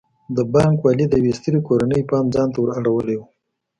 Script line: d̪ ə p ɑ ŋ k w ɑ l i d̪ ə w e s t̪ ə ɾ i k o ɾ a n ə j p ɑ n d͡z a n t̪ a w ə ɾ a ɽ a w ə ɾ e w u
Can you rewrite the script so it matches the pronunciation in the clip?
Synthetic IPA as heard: d̪ ə b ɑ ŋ k w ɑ l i d̪ ə w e s t̪ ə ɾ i k o ɾ a n ə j p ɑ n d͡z ɑ n t̪ a w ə ɾ a ɽ a w ə l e w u